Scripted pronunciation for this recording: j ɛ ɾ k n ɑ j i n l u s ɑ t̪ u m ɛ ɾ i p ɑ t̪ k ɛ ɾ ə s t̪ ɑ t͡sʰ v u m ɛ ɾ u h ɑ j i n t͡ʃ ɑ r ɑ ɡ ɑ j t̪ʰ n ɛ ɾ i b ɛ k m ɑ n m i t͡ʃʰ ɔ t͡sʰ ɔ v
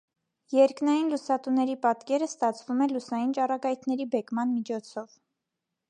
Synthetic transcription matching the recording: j ɛ ɾ k n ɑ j i n l u s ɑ t̪ u n ɛ ɾ i p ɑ t̪ k ɛ ɾ ə s t̪ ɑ t͡sʰ v u m ɛ l u s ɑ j i n t͡ʃ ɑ r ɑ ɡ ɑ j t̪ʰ n ɛ ɾ i b ɛ k m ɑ n m i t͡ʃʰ ɔ t͡sʰ ɔ v